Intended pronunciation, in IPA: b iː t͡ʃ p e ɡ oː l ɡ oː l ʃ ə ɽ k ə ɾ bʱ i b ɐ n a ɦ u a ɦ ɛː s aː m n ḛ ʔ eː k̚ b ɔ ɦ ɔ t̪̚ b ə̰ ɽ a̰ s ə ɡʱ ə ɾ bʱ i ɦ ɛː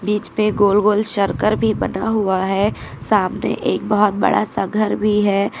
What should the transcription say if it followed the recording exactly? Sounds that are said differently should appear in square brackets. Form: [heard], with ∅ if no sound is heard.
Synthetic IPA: b iː t͡ʃ p e ɡ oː l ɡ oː l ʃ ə [ɾ] k ə ɾ bʱ i b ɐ n a ɦ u a ɦ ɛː s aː m n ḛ ʔ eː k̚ b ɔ ɦ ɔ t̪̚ b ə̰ ɽ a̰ s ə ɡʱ ə ɾ bʱ i ɦ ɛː

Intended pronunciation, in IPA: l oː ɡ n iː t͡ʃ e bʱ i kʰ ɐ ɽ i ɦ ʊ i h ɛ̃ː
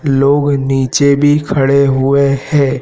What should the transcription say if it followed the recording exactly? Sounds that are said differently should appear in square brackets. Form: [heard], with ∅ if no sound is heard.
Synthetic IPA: l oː ɡ n iː t͡ʃ e bʱ i kʰ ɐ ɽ [e] ɦ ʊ [e] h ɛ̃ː

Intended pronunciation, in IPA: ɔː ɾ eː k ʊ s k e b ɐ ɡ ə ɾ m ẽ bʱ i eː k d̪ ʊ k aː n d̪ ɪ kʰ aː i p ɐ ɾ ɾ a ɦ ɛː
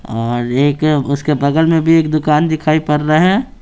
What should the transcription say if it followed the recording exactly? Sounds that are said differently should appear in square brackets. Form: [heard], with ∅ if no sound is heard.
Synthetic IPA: ɔː ɾ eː k ʊ s k e b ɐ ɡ ə [l] m ẽ bʱ i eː k d̪ ʊ k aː n d̪ ɪ kʰ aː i p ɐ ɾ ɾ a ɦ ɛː

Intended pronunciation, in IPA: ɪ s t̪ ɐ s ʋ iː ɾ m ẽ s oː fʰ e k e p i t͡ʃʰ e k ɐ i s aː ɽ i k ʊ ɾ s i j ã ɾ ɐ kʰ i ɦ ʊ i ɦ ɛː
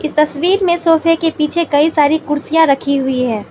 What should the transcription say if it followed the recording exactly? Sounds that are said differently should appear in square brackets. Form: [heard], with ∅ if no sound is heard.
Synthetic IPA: ɪ s t̪ ɐ s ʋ iː ɾ m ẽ s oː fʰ e k e p [iː] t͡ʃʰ e k ɐ i s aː [ɾ] i k ʊ ɾ s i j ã ɾ ɐ kʰ i ɦ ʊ i ɦ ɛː

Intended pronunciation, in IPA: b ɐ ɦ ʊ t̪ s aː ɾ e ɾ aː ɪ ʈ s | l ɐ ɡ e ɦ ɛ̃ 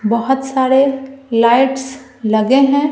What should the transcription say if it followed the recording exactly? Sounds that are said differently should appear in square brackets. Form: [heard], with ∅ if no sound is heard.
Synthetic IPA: b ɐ ɦ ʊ t̪ s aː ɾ e [l] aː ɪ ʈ s | l ɐ ɡ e ɦ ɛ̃

